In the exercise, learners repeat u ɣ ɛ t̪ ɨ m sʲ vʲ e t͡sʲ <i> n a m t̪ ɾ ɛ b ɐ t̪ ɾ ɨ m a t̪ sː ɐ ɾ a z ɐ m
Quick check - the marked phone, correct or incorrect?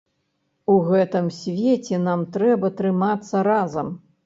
incorrect: ɛ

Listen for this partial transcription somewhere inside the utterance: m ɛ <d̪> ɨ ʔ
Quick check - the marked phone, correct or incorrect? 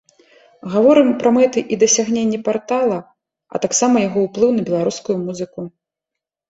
incorrect: t̪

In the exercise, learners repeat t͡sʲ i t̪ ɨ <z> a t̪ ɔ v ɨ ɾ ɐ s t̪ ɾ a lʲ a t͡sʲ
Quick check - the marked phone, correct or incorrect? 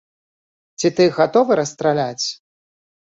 incorrect: ɣ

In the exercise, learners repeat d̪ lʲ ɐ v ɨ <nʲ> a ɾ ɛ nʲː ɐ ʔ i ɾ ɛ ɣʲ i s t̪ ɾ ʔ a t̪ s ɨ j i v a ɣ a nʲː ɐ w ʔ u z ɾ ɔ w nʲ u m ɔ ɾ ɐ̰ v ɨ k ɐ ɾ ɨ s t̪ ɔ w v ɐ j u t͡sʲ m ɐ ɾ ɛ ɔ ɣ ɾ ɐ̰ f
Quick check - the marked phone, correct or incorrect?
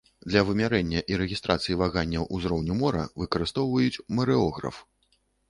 incorrect: mʲ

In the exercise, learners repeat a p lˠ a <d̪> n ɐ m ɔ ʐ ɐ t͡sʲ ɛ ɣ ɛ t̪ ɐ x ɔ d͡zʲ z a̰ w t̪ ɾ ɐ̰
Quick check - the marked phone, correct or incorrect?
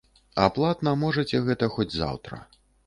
incorrect: t̪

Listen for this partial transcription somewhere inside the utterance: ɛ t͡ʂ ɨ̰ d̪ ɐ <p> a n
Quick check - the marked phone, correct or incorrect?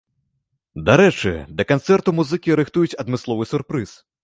incorrect: k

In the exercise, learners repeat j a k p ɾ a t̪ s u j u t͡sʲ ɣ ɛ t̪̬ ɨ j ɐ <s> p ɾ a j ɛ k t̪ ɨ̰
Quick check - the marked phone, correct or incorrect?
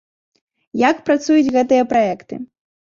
incorrect: none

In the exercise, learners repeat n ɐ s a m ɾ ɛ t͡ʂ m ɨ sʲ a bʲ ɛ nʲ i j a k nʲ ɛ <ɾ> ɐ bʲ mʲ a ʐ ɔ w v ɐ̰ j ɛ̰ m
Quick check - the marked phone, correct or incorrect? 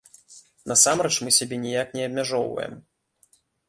incorrect: none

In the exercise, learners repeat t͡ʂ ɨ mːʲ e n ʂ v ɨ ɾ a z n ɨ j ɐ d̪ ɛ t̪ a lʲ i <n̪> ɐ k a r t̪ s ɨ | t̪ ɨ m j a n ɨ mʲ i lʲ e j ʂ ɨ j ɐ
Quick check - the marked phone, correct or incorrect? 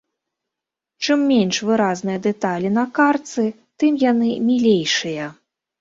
correct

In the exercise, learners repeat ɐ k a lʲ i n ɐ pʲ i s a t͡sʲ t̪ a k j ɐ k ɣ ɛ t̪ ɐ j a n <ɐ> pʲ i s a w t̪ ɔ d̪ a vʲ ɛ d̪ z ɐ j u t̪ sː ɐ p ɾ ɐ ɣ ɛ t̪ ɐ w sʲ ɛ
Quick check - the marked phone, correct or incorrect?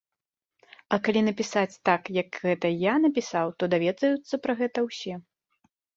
correct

